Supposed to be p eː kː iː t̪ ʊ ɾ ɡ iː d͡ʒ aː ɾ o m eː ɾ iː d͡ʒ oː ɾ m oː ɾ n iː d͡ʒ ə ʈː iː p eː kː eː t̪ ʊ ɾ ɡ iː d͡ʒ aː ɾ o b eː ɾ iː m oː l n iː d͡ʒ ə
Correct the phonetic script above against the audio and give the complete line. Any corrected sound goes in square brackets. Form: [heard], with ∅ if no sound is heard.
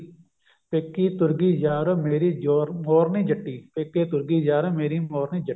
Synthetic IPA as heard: p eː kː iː t̪ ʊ ɾ ɡ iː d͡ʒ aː ɾ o m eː ɾ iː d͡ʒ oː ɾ m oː ɾ n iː d͡ʒ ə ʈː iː p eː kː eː t̪ ʊ ɾ ɡ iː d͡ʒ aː ɾ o [m] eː ɾ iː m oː [ɾ] n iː d͡ʒ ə